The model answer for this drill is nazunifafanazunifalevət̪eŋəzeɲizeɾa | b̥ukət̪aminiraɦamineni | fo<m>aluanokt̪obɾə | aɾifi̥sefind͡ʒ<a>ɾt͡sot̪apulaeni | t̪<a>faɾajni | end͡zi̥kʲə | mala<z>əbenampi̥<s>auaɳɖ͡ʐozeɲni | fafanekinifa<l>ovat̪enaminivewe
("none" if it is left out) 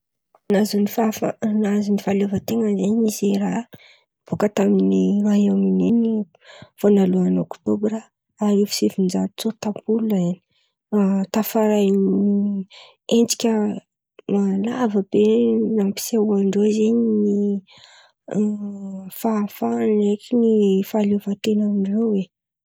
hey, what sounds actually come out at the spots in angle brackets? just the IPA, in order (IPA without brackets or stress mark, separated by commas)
n, a, a, v, s, l